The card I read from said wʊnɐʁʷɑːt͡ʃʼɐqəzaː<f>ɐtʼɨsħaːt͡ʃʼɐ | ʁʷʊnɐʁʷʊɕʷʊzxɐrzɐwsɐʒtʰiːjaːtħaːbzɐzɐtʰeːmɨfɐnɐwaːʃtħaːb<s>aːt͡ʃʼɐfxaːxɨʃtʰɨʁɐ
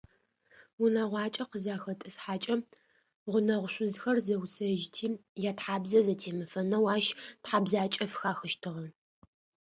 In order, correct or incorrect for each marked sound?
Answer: incorrect: x, incorrect: z

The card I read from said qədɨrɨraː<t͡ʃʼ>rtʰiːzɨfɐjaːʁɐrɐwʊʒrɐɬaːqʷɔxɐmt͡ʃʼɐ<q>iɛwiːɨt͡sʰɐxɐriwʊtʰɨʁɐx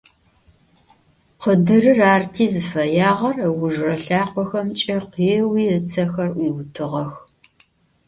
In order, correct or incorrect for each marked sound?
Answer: incorrect: none, correct

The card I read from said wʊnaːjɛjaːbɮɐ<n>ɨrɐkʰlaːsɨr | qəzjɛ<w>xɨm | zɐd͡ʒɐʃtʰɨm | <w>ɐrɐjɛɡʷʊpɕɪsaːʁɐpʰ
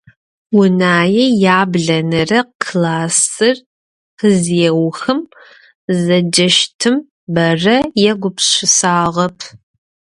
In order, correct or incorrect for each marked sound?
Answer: correct, correct, incorrect: b

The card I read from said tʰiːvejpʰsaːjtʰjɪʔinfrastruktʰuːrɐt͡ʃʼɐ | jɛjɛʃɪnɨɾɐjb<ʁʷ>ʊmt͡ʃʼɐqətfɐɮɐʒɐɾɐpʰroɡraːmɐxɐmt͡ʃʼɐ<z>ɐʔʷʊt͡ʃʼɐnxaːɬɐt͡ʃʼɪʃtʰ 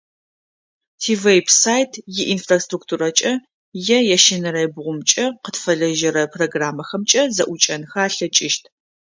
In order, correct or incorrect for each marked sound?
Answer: correct, correct

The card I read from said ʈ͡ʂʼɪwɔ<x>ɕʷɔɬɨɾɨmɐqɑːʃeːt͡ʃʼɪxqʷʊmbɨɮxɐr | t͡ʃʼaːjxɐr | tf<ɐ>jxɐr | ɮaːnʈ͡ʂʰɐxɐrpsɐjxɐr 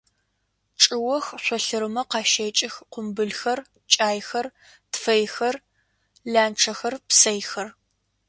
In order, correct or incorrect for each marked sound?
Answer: correct, correct

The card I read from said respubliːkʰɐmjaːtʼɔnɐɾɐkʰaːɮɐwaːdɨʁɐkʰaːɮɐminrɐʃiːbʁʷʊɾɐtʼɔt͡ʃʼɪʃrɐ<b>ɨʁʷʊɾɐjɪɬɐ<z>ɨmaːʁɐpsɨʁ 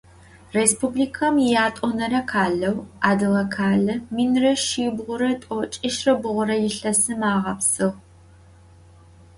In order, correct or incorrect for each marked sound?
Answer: correct, incorrect: s

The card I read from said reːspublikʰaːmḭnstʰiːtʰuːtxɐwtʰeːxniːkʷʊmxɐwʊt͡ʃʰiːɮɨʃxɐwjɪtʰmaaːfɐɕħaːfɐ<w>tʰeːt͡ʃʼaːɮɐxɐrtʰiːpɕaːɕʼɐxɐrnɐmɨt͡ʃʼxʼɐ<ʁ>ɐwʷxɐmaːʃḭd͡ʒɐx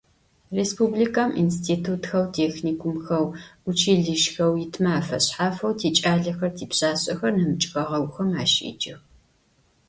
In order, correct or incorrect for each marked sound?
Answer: correct, correct

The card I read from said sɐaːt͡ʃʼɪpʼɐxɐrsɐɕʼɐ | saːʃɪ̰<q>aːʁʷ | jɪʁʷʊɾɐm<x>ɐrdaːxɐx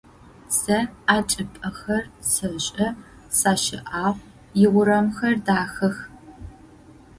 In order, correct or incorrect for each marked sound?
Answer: incorrect: ʔ, correct

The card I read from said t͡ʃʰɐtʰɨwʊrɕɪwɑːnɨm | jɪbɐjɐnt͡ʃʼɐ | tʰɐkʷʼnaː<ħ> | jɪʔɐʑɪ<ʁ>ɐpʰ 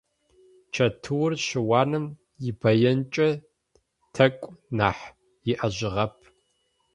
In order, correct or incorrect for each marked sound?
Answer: correct, correct

